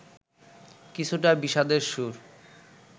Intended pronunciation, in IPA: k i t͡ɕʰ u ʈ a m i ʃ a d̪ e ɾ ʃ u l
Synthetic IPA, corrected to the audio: k i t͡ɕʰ u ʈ a b i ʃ a d̪ e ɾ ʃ u ɾ